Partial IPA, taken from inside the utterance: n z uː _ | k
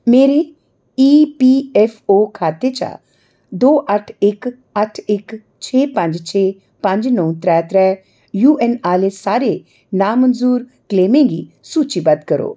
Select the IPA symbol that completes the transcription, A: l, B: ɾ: B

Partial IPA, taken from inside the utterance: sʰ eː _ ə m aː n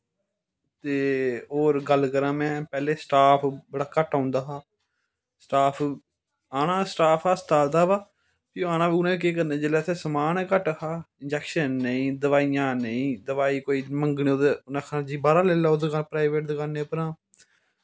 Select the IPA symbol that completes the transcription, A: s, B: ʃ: A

